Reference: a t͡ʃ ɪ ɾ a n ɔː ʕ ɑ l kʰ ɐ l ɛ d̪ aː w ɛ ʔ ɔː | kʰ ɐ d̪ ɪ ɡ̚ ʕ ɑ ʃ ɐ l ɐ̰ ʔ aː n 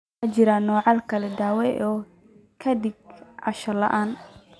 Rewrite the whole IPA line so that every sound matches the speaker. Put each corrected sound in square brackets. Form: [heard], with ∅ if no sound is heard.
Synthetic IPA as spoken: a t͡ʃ ɪ ɾ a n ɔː ʕ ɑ l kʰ ɐ l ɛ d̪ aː w ɛ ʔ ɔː | kʰ ɐ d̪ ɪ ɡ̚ ʕ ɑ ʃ ɐ l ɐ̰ ʔ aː n